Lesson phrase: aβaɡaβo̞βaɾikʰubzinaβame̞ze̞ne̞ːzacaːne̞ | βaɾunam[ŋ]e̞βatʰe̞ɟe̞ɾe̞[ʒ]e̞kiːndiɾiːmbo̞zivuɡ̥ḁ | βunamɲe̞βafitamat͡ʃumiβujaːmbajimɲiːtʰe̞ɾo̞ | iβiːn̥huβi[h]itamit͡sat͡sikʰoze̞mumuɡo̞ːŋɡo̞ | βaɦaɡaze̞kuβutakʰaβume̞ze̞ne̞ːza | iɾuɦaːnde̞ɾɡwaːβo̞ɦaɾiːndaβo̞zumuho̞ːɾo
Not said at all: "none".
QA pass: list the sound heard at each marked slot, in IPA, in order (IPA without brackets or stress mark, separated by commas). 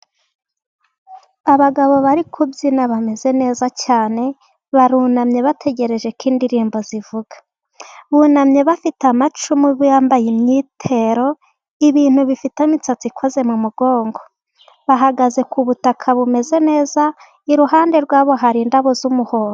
ɲ, ʒ, f